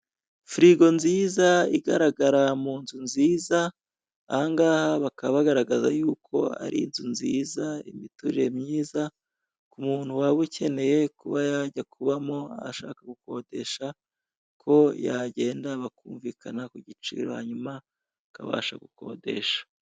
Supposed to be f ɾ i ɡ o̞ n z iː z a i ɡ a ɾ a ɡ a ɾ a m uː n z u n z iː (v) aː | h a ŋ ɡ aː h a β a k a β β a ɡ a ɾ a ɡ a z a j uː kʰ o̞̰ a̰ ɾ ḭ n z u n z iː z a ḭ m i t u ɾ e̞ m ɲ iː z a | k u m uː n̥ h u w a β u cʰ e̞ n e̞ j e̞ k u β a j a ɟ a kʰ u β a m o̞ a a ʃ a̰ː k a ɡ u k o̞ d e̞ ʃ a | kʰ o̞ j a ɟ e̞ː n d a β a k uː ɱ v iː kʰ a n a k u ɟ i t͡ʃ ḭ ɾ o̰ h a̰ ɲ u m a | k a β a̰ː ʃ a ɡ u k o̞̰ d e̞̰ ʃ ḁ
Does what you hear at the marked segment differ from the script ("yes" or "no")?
yes